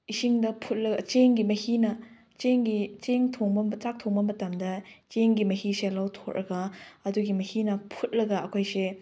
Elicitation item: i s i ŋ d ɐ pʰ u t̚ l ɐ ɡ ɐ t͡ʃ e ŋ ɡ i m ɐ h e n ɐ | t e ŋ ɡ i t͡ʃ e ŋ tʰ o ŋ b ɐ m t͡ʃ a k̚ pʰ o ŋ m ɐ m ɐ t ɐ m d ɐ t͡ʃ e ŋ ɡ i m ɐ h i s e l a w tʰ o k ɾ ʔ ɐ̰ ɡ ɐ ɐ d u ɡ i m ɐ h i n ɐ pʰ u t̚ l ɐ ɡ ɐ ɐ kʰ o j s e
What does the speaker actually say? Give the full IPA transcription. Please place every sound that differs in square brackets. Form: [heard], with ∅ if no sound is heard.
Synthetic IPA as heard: i s i ŋ d ɐ pʰ u t̚ l ɐ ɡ ɐ t͡ʃ e ŋ ɡ i m ɐ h [i] n ɐ | [t͡ʃ] e ŋ ɡ i t͡ʃ e ŋ tʰ o ŋ b ɐ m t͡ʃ a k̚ [tʰ] o ŋ [b] ɐ m ɐ t ɐ m d ɐ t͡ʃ e ŋ ɡ i m ɐ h i s e l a w tʰ o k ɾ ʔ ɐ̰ ɡ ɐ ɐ d u ɡ i m ɐ h i n ɐ pʰ u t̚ l ɐ ɡ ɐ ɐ kʰ o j s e